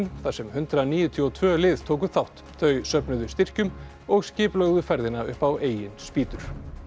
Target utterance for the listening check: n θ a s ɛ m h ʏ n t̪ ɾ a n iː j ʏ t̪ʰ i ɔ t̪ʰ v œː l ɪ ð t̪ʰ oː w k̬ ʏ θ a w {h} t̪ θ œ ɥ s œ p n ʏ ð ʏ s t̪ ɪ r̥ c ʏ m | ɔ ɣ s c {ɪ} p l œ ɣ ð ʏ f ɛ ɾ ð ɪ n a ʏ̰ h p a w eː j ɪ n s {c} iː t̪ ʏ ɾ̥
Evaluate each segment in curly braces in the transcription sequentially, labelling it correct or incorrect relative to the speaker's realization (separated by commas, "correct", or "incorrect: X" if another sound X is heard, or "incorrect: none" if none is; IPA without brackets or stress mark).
correct, incorrect: ɪː, incorrect: p